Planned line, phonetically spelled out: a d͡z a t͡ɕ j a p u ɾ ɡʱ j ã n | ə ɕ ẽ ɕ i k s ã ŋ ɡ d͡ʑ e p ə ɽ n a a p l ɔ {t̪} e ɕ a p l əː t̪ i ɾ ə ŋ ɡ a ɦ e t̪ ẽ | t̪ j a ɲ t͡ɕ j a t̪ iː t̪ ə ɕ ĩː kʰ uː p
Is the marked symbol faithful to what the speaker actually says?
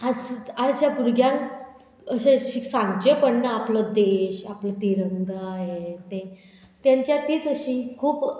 no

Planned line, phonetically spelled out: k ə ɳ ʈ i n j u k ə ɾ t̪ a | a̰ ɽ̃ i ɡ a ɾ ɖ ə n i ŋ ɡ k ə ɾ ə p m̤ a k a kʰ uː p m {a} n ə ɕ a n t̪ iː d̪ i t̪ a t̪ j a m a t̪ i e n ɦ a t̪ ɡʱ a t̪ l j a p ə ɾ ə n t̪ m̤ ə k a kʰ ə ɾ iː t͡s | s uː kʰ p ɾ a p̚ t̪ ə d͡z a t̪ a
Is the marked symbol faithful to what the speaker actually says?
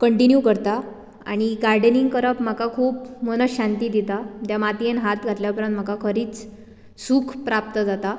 no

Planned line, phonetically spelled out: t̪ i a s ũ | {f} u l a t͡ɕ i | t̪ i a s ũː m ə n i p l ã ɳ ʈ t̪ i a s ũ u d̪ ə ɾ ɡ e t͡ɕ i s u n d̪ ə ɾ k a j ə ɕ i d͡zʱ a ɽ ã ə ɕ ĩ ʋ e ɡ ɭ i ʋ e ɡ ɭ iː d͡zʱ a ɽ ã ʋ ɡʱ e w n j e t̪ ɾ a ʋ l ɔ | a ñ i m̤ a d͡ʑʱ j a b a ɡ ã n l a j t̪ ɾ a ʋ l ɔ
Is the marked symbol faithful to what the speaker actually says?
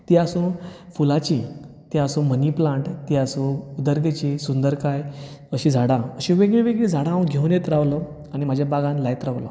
yes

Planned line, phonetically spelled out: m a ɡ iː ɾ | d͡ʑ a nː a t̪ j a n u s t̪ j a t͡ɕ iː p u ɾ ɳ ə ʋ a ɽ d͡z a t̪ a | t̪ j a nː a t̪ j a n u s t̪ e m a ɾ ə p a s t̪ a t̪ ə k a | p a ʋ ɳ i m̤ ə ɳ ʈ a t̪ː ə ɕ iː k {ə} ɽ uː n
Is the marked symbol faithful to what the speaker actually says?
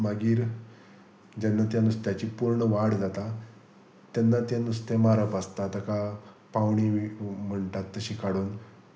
no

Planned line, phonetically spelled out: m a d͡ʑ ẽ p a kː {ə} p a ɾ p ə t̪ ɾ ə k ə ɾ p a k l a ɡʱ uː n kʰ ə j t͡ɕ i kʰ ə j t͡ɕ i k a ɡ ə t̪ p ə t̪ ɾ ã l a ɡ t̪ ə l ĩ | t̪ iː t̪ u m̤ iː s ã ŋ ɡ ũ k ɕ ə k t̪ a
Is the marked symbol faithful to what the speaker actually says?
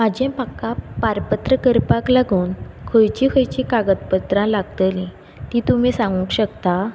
no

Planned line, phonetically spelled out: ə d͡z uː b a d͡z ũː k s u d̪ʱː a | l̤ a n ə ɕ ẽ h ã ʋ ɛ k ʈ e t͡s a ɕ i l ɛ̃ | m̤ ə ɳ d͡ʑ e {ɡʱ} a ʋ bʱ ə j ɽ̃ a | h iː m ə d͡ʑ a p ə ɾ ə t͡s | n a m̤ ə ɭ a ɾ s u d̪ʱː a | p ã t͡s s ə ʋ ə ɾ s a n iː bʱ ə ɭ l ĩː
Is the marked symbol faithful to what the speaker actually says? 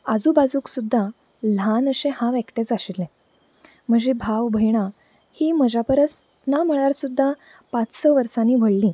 no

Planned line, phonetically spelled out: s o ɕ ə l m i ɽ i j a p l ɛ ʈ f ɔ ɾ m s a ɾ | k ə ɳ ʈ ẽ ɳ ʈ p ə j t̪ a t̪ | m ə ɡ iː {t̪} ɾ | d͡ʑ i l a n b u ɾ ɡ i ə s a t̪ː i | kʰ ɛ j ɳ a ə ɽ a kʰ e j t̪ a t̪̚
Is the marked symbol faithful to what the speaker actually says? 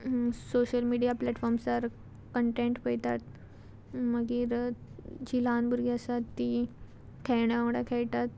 no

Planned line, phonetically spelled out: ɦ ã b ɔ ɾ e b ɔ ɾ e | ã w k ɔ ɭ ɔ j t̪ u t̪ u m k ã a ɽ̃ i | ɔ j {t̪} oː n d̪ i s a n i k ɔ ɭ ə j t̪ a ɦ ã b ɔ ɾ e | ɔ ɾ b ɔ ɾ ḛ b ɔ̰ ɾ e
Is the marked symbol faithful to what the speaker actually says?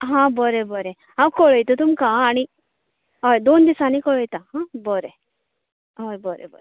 no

